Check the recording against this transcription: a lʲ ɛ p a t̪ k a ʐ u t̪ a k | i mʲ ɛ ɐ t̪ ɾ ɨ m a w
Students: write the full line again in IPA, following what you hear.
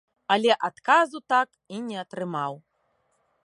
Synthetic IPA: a lʲ ɛ ʔ a t̪ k a z u t̪ a k | i nʲ ɛ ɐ t̪ ɾ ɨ m a w